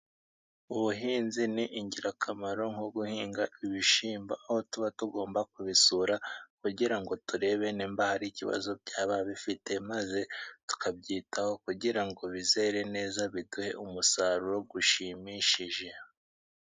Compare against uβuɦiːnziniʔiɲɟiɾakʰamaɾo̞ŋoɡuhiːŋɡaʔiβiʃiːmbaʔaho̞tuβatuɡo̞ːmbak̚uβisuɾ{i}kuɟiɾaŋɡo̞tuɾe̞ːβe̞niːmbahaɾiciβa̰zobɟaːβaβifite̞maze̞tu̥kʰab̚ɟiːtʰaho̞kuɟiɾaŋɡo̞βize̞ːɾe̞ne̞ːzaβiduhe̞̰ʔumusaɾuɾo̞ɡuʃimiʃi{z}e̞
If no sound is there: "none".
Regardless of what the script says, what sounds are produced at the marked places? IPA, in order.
a, ʒ

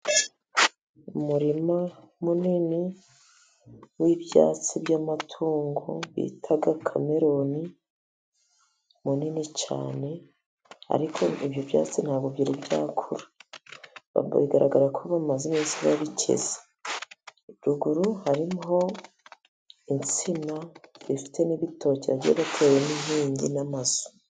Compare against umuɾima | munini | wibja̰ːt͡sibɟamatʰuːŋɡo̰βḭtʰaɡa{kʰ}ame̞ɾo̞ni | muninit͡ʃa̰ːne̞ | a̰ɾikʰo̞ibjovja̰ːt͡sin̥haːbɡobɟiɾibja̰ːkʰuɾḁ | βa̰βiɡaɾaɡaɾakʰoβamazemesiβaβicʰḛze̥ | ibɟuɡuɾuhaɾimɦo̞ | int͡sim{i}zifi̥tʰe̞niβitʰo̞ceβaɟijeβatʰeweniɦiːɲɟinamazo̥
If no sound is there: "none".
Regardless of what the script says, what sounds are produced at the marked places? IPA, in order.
kʰ, a

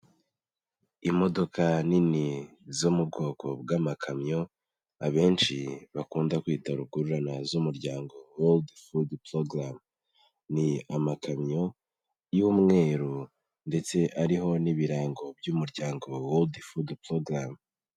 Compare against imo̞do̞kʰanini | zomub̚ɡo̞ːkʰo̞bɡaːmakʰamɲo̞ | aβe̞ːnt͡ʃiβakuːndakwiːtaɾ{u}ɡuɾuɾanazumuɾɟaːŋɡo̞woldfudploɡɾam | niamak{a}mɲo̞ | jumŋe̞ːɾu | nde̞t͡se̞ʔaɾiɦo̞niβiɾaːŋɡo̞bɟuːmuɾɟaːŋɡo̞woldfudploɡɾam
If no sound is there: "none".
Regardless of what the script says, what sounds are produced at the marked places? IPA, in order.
u, a

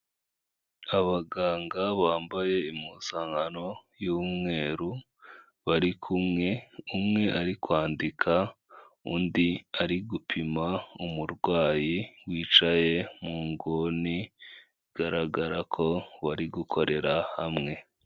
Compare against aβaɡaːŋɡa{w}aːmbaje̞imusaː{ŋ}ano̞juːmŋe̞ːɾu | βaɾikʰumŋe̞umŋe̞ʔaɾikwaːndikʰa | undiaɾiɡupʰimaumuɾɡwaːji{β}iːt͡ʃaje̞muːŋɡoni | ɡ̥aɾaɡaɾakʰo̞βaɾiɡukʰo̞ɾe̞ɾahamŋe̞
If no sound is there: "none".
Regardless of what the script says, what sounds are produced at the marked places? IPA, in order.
β, ŋ, w

